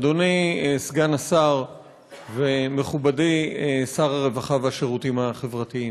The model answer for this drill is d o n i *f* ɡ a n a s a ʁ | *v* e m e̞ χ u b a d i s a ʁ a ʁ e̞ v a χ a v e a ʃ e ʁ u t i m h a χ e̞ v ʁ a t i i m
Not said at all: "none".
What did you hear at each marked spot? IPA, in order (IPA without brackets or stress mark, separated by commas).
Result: s, v